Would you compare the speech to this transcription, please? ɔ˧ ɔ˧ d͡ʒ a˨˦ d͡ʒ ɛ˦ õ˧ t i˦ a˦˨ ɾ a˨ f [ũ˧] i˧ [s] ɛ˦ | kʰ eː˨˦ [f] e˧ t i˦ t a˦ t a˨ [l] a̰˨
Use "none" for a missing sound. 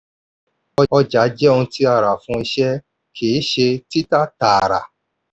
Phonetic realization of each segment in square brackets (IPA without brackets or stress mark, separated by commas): ũ˧, ʃ, ʃ, ɾ